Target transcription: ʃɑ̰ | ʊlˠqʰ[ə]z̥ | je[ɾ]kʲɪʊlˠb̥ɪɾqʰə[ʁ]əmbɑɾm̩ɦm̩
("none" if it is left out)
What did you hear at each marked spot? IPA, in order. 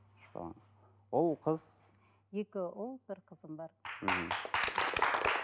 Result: ə, none, z

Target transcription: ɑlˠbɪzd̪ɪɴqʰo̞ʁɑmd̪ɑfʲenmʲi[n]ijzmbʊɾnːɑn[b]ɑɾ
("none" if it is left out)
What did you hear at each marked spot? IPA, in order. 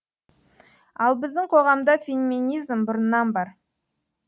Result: n, b

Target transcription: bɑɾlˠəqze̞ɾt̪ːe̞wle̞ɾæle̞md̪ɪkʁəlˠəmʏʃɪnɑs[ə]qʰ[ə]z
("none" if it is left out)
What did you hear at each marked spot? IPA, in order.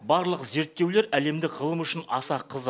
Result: ɑ, ə

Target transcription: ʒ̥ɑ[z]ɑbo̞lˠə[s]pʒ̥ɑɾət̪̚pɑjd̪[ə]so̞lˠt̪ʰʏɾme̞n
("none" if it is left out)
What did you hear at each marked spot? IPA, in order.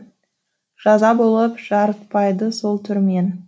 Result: z, none, ə

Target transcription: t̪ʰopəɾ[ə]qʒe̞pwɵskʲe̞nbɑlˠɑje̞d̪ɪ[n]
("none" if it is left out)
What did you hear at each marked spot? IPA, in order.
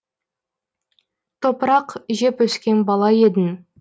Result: ɑ, n

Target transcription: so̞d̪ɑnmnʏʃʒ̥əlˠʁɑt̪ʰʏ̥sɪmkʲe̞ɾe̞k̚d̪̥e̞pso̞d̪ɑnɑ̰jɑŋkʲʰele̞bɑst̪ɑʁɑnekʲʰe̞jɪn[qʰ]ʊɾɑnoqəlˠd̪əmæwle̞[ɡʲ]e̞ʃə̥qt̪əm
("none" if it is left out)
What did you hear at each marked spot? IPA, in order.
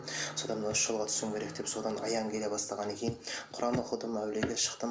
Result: qʰ, ɡʲ

